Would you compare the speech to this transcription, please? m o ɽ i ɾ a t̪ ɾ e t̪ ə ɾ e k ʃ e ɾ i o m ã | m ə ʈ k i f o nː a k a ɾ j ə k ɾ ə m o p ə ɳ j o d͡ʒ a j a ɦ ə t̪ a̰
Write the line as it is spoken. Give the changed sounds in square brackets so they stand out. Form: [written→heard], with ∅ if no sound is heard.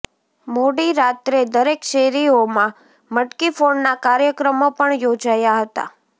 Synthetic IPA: m o ɽ i ɾ a t̪ ɾ e [t̪→d̪] ə ɾ e k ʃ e ɾ i o m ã | m ə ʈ k i f o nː a k a ɾ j ə k ɾ ə m o p ə ɳ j o d͡ʒ a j a ɦ ə t̪ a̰